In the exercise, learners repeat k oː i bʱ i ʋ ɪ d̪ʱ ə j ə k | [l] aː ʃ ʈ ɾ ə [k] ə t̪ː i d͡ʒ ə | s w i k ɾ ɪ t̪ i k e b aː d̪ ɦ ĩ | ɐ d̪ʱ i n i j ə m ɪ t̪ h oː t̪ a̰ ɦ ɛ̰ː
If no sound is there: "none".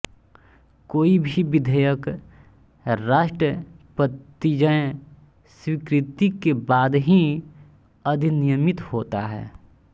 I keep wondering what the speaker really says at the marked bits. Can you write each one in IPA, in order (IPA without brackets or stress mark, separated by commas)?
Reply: ɾ, p